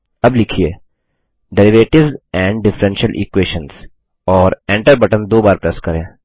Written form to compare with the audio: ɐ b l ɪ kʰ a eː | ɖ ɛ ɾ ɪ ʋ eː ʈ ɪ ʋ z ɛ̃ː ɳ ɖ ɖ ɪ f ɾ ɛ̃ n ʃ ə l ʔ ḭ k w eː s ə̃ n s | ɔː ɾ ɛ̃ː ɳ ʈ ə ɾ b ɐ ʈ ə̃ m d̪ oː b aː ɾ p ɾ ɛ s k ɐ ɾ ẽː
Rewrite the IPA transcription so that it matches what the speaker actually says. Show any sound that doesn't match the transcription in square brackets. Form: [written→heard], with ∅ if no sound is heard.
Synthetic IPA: ɐ b l ɪ kʰ [a→i] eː | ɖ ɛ ɾ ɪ ʋ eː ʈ ɪ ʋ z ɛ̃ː ɳ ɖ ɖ ɪ f ɾ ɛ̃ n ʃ ə l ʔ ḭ k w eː [s→ʃ] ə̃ n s | ɔː ɾ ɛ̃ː ɳ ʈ ə ɾ b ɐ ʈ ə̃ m d̪ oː b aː ɾ p ɾ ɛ s k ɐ ɾ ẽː

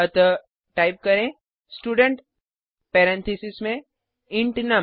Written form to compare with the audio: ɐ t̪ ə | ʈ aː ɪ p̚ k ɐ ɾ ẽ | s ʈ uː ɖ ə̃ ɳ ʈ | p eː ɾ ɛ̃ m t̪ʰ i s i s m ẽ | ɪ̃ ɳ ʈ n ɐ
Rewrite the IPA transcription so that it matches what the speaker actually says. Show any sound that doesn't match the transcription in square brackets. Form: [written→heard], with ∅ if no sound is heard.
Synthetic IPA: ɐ t̪ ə | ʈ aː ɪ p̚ k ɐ ɾ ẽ | s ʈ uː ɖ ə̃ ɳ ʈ | p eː ɾ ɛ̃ [m→n] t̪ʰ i s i s m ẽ | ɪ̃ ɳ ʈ n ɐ

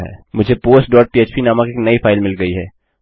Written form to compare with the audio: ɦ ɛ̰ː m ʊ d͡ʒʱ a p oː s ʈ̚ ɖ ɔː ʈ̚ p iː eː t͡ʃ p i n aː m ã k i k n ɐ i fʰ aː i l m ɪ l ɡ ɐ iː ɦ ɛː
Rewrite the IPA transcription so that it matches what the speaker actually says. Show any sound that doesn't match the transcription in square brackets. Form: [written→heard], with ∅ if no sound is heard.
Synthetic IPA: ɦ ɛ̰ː m ʊ d͡ʒʱ [a→e] p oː s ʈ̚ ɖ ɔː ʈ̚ p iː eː t͡ʃ p i n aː m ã k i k n ɐ i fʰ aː [i→ɪ] l m ɪ l ɡ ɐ [iː→i] ɦ ɛː

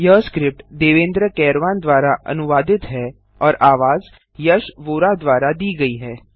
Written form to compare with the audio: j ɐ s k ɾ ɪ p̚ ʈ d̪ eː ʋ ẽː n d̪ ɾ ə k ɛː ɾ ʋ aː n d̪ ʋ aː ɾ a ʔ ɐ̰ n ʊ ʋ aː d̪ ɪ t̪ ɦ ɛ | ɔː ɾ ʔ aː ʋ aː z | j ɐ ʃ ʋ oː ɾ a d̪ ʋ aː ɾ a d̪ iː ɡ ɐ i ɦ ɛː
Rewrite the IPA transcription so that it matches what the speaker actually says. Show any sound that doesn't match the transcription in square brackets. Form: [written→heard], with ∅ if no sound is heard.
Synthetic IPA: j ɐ s k ɾ ɪ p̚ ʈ d̪ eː ʋ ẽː n d̪ ɾ ə k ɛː ɾ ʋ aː n d̪ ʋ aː ɾ a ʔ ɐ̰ n ʊ ʋ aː d̪ ɪ t̪ ɦ ɛ | ɔː ɾ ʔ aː ʋ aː z | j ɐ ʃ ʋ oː ɾ a d̪ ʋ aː ɾ a d̪ iː ɡ ɐ i ɦ ɛː

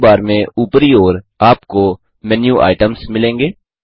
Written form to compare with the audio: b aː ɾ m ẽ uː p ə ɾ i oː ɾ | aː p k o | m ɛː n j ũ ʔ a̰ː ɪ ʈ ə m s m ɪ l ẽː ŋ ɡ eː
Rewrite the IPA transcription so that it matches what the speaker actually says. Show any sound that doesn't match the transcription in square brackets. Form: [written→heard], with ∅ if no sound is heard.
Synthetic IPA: b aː ɾ m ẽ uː p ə ɾ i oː ɾ | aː p k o | m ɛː n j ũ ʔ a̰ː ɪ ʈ ə m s m ɪ l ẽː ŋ ɡ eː

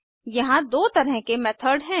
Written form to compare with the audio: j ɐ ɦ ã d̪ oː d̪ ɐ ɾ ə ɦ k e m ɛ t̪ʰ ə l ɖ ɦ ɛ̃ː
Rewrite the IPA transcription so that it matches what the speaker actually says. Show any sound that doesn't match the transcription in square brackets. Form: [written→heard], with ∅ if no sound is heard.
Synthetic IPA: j ɐ ɦ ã d̪ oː [d̪→t̪] ɐ ɾ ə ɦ k e m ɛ t̪ʰ ə [l→ɾ] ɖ ɦ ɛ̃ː

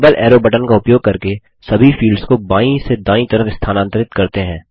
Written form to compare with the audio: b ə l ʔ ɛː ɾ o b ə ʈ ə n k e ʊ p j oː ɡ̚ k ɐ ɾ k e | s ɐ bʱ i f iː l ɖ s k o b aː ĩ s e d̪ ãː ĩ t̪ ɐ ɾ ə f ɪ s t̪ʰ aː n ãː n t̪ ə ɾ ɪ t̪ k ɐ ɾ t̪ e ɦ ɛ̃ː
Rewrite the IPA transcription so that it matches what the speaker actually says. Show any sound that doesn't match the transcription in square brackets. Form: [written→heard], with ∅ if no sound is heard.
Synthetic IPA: b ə l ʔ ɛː ɾ o b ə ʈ ə n k [e→a] ʊ p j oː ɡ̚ k ɐ ɾ k e | s ɐ bʱ i f iː l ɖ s k o b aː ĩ s e d̪ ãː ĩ t̪ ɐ ɾ ə f ɪ s t̪ʰ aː n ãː n t̪ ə ɾ ɪ t̪ k ɐ ɾ t̪ e ɦ ɛ̃ː

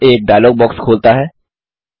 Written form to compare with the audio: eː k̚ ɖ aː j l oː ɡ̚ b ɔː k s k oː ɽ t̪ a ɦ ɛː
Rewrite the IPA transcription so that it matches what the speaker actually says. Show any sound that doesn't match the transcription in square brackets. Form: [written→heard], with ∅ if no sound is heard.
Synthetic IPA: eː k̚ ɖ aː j l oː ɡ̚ b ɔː k s [k→kʰ] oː [ɽ→l] t̪ a ɦ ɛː

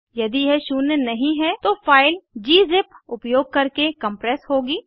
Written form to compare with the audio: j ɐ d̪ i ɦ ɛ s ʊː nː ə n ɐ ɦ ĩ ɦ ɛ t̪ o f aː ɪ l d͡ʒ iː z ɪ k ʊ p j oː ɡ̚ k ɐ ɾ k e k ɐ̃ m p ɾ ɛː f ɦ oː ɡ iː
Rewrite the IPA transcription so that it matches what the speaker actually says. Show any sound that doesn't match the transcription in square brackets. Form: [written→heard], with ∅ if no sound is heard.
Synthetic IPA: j ɐ d̪ i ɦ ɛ [s→ʃ] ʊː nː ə n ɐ ɦ ĩ ɦ ɛ t̪ o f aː ɪ l d͡ʒ iː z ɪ [k→p] ʊ p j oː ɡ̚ k ɐ ɾ k e k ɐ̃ m p ɾ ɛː [f→s] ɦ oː ɡ iː

